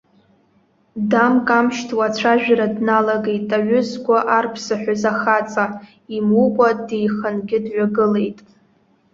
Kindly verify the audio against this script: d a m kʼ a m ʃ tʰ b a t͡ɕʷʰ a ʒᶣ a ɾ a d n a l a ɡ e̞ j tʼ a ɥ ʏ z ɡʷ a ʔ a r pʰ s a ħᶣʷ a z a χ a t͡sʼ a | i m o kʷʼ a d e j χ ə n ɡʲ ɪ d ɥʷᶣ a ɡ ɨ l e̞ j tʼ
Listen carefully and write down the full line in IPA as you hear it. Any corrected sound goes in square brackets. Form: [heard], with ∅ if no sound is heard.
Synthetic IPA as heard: d a m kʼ a m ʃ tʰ [w] a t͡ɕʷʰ a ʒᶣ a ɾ a d n a l a ɡ e̞ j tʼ a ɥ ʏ z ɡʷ a ʔ a r pʰ s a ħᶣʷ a z a χ a t͡sʼ a | i m [u] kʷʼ a d e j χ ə n ɡʲ ɪ d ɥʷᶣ a ɡ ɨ l e̞ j tʼ